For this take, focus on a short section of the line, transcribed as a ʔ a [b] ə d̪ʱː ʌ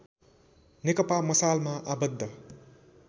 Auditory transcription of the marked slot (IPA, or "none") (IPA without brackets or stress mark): b